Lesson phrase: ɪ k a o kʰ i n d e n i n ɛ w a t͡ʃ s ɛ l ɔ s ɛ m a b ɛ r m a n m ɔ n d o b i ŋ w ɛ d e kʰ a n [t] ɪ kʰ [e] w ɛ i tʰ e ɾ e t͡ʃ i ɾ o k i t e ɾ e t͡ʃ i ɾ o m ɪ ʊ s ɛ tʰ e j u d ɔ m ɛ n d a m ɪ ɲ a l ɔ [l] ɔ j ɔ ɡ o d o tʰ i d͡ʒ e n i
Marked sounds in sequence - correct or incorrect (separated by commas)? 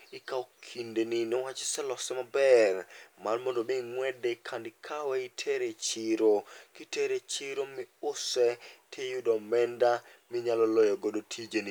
incorrect, incorrect, correct